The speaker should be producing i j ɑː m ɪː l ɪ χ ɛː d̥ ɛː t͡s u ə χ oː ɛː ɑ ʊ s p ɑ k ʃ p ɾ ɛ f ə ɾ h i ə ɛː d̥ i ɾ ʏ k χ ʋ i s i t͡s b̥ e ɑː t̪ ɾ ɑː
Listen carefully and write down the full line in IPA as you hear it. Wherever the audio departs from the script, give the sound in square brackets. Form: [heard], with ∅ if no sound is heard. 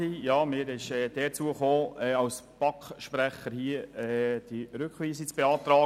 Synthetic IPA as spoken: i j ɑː m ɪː [ɾ] ɪ [ʃ] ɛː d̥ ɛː t͡s u ə χ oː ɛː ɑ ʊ s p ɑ k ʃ p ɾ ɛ [χ] ə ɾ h i ə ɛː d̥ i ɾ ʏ k χ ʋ [iː] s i t͡s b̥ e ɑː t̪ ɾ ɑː

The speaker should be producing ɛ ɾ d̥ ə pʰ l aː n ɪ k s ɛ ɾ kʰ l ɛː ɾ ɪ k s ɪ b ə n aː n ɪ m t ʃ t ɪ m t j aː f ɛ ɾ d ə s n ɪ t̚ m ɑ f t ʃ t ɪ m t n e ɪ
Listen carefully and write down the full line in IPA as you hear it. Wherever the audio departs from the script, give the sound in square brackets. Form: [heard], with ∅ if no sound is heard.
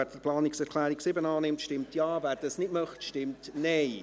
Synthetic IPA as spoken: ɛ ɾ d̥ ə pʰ l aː n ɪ k s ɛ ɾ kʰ l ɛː ɾ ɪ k s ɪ b ə n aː n ɪ m t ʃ t ɪ m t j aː [v] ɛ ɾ d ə s n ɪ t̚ m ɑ [χ] t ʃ t ɪ m t n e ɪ

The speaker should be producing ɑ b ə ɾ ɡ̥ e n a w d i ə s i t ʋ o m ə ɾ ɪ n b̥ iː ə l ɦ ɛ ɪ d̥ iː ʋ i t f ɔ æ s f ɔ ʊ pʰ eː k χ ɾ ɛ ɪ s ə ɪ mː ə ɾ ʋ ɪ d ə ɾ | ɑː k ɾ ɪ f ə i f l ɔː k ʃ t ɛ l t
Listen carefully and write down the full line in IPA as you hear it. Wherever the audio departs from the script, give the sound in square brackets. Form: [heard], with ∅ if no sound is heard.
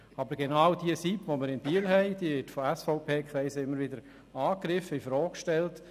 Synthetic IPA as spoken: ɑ b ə ɾ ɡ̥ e n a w d i ə s i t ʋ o m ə ɾ ɪ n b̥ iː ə l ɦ ɛ ɪ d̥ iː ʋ [ɪ] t f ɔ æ s f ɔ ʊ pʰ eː k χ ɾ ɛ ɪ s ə ɪ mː ə ɾ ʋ ɪ d ə ɾ | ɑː k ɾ ɪ f ə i f [ɾ] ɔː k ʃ t ɛ l t

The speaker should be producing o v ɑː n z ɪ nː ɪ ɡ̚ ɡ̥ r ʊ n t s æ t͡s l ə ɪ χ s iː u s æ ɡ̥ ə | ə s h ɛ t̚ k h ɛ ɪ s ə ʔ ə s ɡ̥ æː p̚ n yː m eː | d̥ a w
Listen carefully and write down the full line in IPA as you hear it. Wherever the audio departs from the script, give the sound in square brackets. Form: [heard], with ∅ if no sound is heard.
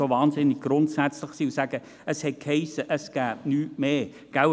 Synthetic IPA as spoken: o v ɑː n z ɪ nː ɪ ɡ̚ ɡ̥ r ʊ n t s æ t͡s l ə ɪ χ s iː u s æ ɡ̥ ə | ə s h ɛ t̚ k h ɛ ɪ s ə ʔ ə s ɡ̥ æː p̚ n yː m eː | [ɡ̥] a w

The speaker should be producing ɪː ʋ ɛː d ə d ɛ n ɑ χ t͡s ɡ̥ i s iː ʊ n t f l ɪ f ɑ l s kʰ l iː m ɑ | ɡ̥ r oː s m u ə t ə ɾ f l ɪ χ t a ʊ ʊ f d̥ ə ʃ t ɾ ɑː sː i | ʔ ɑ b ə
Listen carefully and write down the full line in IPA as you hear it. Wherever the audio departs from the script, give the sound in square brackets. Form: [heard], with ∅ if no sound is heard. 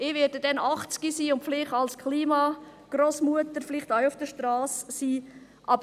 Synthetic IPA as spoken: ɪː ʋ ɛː d ə d ɛ n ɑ χ t͡s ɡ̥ i s iː ʊ n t f l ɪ [χ] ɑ l s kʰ l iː m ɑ | ɡ̥ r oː s m u ə t ə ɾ f l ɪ χ t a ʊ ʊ f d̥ ə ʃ t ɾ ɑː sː [iː] | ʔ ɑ b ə

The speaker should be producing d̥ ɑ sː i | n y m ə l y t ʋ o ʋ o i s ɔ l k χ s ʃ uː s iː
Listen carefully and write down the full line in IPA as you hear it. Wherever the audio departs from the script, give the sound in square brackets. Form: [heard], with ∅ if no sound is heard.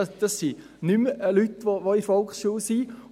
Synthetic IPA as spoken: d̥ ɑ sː i | n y m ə l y t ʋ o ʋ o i [f] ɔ l k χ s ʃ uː s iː

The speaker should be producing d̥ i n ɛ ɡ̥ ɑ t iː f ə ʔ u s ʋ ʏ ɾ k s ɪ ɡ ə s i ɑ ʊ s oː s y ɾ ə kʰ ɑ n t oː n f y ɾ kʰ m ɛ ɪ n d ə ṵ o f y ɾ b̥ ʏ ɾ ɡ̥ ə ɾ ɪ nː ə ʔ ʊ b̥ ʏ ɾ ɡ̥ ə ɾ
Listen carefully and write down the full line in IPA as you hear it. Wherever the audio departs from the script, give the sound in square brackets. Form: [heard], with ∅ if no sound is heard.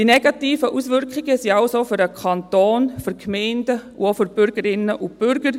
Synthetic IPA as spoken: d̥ i n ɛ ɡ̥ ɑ t iː f ə ʔ u s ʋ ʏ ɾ k [χ] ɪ ɡ ə s i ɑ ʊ s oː [f] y ɾ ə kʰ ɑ n t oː n f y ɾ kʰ m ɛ ɪ n d ə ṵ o f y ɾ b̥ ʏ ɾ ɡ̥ ə ɾ ɪ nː ə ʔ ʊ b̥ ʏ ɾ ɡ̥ ə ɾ

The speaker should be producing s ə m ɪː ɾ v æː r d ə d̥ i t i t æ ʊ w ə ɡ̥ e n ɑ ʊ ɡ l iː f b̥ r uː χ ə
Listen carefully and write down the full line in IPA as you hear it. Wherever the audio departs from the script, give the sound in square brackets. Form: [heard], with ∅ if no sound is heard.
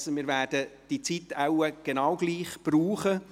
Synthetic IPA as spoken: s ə m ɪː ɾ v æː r d ə d̥ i [t͡s] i t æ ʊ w ə ɡ̥ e n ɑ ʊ ɡ l iː [χ] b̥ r uː χ ə

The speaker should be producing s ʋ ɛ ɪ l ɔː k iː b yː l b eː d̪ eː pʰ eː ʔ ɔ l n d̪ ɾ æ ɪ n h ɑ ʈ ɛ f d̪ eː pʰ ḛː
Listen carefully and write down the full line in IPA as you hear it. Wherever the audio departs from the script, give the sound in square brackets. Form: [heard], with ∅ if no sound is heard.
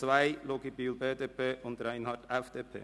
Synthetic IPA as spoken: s ʋ [æ] ɪ l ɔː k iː b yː l b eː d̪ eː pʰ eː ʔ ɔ [∅] n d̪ ɾ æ ɪ n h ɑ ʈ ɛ f d̪ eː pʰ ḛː

